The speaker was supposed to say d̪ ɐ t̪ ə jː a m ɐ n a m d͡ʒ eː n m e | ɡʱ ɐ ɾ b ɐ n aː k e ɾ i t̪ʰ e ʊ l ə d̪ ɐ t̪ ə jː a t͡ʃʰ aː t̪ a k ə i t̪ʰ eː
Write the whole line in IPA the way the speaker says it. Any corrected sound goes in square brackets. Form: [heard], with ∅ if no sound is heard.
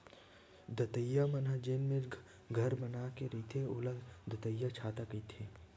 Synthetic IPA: d̪ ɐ t̪ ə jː a m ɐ n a [∅] d͡ʒ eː n m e | ɡʱ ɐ ɾ b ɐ n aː k e ɾ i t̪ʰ e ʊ l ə d̪ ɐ t̪ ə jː a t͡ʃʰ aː t̪ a k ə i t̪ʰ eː